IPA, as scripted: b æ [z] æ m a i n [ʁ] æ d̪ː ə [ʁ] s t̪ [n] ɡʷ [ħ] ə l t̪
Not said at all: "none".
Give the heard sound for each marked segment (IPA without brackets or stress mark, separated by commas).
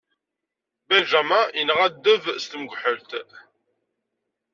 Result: ʒ, ʁ, v, m, ħ